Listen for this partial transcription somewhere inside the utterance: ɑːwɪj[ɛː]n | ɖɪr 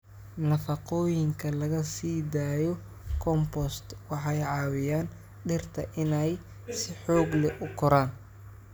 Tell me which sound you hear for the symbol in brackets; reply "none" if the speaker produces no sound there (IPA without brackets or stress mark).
aː